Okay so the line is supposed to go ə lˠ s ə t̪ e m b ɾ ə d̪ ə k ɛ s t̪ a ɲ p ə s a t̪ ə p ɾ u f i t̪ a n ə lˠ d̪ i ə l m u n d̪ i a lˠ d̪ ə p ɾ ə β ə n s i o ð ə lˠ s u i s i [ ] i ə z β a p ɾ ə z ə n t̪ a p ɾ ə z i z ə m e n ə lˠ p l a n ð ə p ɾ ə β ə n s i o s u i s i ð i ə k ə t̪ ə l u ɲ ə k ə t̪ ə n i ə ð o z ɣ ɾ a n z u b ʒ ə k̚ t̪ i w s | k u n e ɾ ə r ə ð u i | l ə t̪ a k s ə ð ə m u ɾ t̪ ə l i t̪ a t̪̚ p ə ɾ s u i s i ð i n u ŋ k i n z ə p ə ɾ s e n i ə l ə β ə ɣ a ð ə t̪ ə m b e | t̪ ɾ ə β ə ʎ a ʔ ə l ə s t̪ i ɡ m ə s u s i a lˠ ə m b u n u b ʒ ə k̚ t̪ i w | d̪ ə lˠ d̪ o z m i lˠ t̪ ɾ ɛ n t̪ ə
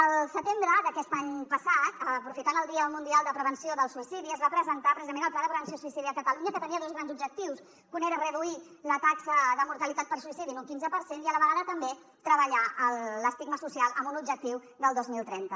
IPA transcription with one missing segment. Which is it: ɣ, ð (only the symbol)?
ð